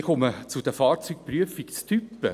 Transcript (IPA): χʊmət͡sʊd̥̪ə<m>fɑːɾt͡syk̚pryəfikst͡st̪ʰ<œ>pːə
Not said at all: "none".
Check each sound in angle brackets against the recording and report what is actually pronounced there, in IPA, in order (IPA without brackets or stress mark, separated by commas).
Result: none, y